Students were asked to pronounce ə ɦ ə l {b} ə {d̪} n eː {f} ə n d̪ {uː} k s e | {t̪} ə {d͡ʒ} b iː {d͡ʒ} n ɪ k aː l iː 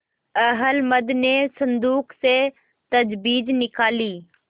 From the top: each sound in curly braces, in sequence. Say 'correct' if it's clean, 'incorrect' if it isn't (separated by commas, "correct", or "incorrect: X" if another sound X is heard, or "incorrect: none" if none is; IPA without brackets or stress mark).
incorrect: m, correct, incorrect: s, correct, correct, correct, correct